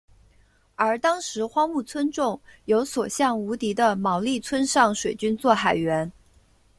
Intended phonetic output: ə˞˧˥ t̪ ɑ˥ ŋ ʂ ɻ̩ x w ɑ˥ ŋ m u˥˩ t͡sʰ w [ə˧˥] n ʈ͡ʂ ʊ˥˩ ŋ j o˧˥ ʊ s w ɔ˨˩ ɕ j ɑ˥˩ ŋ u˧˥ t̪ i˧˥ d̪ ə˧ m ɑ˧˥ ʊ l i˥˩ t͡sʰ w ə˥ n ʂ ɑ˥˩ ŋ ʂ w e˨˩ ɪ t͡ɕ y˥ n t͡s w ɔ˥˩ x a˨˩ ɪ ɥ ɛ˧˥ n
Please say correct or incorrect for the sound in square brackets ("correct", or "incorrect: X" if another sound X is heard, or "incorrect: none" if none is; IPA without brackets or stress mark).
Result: incorrect: ə˥